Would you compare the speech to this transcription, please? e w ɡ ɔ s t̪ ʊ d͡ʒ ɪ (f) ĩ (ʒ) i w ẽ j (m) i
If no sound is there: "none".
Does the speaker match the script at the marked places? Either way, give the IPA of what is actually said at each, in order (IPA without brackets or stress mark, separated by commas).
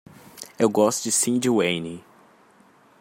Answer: s, d͡ʒ, n